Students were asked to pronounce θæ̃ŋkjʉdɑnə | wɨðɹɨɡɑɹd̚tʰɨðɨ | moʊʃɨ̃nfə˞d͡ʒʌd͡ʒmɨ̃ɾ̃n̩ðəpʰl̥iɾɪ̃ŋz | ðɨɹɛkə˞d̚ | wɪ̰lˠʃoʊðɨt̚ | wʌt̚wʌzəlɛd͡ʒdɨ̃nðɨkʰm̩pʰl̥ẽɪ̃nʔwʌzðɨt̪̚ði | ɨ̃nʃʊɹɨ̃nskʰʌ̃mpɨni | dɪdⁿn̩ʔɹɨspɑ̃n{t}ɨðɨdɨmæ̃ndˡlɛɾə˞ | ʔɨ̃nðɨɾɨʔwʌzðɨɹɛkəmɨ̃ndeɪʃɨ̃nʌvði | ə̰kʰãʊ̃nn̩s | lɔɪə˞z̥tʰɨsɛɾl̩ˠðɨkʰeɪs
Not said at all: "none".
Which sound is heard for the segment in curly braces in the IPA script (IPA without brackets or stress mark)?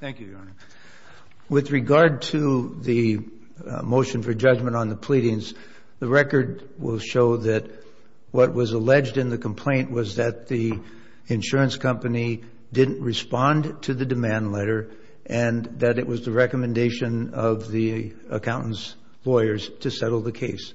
tʰ